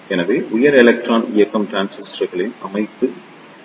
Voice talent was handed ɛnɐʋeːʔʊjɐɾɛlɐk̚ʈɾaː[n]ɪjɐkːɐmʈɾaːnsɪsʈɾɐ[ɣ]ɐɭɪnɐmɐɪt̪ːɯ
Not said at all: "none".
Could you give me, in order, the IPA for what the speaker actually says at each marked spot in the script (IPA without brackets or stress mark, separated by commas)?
n, ɣ